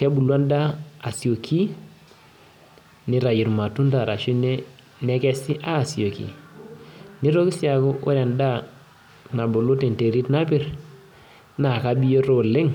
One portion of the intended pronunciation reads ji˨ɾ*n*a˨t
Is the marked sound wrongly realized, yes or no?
yes